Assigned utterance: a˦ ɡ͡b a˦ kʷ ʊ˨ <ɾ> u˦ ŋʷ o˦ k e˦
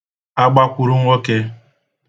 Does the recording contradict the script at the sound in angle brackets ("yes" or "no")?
no